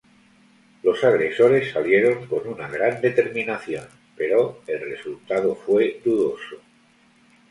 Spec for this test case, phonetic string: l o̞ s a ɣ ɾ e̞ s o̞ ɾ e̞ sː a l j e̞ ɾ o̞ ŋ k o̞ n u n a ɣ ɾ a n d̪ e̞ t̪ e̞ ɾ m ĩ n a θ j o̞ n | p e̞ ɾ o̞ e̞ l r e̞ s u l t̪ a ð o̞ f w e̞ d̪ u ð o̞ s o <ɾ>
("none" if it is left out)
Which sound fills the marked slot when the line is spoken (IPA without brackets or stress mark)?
none